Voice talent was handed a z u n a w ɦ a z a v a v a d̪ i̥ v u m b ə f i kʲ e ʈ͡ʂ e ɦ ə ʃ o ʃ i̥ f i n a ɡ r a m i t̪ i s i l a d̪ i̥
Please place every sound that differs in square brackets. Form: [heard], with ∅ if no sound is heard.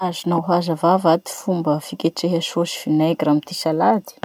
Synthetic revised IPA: a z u n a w ɦ a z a v a v a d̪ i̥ [f] u m b ə f i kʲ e ʈ͡ʂ e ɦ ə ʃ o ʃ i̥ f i n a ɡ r a m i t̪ i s [a] l a d̪ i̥